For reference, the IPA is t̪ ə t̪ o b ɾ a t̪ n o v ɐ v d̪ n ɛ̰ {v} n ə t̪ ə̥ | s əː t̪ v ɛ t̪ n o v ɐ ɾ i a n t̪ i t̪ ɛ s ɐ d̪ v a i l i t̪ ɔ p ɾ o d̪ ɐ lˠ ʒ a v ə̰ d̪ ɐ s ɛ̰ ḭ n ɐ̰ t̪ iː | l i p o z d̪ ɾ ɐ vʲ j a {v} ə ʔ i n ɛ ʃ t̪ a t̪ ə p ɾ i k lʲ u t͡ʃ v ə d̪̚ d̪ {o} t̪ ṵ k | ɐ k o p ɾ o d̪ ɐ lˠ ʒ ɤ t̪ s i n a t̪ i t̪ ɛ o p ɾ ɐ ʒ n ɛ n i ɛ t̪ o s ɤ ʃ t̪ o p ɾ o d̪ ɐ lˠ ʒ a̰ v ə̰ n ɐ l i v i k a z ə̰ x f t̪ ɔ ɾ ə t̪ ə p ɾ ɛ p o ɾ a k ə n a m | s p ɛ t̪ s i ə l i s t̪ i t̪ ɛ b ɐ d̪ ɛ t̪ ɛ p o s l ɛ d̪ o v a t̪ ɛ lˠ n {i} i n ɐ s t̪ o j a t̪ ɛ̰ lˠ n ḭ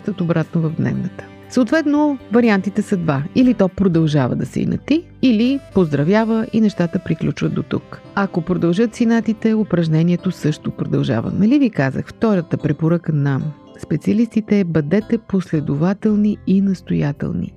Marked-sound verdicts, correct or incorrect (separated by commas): correct, correct, correct, correct